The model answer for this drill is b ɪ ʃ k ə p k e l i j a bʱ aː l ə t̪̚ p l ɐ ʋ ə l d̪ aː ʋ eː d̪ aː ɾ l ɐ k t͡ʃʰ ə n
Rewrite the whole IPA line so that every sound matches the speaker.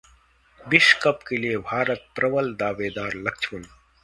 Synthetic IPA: b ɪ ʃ k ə p k e l i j e bʱ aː ɾ ə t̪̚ p ɾ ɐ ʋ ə l d̪ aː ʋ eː d̪ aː ɾ l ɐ k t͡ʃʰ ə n